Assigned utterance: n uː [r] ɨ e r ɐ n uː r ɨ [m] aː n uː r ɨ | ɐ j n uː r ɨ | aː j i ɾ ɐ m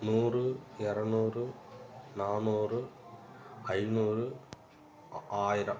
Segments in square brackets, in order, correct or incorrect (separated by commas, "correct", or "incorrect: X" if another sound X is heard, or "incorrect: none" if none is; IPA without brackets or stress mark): correct, incorrect: n